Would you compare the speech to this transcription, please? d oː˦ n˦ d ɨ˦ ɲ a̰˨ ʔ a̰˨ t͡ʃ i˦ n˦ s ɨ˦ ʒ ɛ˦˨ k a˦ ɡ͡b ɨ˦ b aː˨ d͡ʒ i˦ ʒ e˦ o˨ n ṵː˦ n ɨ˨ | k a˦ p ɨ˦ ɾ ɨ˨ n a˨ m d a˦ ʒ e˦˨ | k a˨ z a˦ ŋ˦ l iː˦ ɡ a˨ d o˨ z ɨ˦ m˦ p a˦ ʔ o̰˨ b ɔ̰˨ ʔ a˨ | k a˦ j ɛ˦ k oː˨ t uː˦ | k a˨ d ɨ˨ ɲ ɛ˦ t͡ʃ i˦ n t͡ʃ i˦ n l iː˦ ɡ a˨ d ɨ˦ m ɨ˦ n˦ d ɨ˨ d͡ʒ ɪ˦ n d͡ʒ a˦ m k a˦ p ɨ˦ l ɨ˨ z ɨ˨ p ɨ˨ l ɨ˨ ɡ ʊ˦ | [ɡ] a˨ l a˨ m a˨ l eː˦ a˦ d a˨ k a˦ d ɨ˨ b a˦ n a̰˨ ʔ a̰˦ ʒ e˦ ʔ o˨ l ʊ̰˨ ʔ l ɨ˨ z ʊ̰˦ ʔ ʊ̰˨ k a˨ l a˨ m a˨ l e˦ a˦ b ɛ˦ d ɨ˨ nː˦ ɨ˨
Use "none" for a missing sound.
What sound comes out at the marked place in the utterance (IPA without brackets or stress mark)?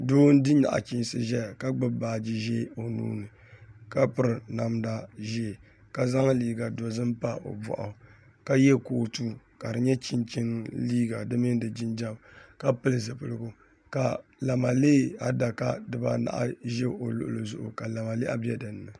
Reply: k